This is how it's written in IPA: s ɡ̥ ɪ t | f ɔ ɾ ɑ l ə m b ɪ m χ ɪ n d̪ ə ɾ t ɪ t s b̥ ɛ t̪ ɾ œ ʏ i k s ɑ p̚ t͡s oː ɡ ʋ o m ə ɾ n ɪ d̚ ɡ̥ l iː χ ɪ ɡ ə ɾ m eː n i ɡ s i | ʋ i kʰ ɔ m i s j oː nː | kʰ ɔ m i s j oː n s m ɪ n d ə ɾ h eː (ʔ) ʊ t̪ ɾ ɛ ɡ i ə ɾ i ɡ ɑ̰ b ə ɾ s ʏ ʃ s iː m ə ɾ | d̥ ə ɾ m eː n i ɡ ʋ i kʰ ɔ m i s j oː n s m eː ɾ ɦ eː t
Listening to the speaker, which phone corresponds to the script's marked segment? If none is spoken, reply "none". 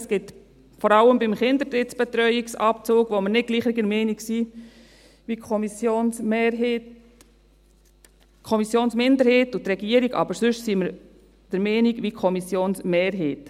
t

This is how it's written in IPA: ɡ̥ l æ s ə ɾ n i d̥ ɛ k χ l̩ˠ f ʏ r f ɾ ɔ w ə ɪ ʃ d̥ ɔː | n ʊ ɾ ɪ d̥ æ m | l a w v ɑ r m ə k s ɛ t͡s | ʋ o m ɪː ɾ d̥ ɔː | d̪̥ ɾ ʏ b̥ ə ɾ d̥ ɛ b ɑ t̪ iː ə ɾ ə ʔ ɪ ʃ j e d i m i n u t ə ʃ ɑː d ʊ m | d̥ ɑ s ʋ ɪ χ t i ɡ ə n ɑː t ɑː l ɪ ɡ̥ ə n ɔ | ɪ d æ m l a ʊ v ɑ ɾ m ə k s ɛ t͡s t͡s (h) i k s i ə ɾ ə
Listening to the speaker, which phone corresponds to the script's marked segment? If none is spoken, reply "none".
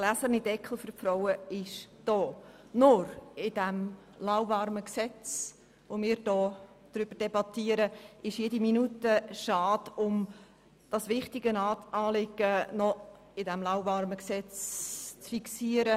f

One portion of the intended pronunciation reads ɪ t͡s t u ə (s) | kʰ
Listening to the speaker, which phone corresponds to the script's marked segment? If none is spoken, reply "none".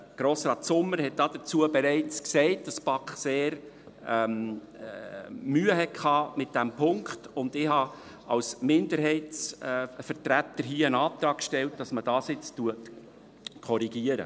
t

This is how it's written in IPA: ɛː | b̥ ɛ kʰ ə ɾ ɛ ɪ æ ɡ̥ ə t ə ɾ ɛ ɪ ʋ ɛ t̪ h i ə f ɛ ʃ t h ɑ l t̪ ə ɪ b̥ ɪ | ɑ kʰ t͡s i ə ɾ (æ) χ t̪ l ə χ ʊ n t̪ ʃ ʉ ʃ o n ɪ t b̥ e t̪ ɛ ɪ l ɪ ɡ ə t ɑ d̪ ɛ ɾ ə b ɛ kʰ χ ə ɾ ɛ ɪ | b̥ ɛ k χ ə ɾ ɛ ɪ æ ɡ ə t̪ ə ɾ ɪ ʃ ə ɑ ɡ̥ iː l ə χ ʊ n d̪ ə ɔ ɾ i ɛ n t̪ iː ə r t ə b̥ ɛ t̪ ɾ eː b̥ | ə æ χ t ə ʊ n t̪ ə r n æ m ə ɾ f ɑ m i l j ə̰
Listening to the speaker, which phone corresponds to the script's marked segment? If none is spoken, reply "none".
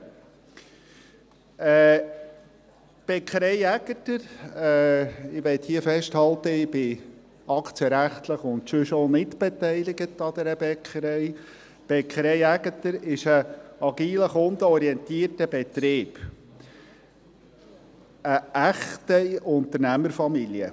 æ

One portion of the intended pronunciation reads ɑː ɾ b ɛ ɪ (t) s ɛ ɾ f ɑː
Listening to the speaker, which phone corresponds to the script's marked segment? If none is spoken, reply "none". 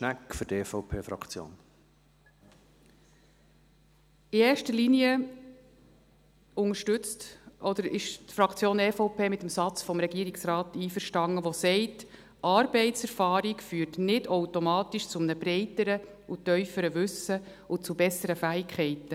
t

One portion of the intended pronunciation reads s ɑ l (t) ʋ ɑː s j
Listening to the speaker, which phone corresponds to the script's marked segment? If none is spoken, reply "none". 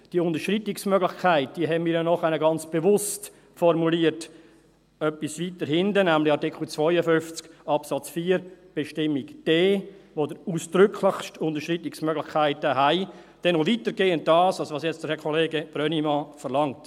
s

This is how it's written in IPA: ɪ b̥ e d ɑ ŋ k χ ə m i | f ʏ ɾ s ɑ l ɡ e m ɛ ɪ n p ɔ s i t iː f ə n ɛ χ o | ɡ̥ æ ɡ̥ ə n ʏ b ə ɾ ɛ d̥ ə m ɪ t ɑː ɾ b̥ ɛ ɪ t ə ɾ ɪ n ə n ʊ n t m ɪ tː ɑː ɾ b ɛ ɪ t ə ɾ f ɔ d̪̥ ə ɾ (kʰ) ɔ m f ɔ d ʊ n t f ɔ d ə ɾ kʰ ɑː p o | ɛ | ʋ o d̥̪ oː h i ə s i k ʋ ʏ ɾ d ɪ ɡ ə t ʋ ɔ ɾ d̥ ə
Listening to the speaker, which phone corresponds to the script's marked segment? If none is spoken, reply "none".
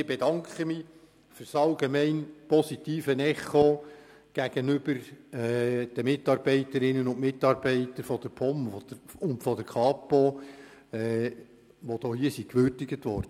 pʰ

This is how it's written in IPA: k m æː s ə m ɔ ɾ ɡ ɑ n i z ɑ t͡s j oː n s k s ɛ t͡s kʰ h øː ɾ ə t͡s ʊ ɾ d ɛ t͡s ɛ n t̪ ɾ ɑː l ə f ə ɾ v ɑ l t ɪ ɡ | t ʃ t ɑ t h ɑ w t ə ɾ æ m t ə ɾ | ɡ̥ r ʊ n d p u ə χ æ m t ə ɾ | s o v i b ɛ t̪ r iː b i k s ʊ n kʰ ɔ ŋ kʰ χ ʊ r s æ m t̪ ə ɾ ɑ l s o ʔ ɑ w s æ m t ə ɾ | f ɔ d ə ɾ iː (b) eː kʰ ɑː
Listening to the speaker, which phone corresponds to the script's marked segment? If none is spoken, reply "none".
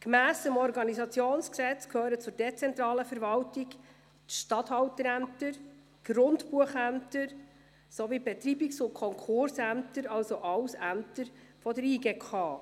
ɡ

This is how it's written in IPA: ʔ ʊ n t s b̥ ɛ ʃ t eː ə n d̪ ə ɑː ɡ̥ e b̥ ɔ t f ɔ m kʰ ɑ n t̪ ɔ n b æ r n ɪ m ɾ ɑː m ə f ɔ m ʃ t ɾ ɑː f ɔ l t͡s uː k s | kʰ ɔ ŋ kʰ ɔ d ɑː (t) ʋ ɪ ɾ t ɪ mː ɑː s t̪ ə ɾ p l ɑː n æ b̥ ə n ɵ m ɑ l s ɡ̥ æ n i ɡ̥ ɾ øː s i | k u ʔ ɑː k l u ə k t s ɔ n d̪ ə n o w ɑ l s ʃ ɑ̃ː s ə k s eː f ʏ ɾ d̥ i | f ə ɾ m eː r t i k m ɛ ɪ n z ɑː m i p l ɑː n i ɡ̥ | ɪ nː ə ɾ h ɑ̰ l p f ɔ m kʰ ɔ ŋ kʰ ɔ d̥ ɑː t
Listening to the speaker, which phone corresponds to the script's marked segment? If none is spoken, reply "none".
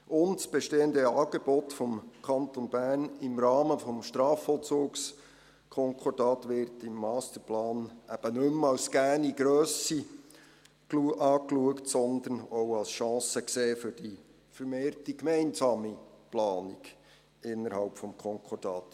t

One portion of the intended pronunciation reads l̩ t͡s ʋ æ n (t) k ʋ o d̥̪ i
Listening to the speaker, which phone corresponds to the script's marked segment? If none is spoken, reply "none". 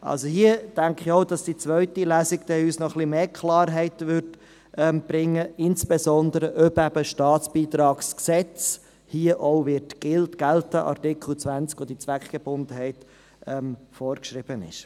t͡s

